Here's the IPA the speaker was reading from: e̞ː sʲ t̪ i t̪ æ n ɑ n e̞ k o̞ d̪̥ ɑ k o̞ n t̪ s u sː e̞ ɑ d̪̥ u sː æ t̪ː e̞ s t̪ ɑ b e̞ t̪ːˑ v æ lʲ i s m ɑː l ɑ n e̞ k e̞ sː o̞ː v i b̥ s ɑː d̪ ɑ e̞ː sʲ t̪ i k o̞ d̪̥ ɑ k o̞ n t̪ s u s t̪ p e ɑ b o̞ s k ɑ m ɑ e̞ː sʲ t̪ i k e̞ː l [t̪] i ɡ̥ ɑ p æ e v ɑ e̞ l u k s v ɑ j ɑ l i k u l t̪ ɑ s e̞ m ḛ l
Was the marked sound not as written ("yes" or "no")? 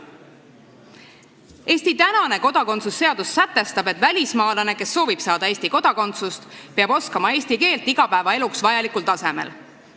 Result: no